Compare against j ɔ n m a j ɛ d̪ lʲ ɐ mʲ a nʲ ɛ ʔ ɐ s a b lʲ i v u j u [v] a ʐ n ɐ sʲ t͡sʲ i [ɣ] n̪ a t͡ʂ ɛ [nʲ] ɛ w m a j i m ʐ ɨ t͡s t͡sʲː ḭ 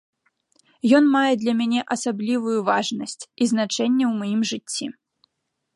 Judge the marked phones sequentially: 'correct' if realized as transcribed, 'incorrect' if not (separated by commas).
correct, incorrect, incorrect